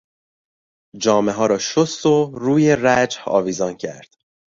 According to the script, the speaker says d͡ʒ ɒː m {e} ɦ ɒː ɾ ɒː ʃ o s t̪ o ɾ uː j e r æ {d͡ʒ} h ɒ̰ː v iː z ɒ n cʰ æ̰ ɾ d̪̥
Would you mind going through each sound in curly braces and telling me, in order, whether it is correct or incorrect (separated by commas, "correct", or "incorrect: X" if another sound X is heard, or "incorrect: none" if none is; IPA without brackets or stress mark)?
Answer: correct, correct